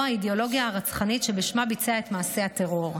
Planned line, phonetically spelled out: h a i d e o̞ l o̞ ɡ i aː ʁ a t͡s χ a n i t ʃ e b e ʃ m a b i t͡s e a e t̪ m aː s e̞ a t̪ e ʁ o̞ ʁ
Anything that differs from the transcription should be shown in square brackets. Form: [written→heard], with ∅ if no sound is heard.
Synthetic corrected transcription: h a i d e o̞ l o̞ ɡ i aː ʁ a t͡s χ a n i t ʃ e b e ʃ m a b i t͡s e a e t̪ m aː s e̞ a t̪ e ʁ o̞ ʁ